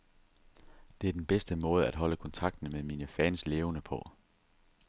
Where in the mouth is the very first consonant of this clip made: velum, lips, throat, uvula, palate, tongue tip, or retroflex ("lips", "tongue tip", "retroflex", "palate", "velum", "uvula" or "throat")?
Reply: tongue tip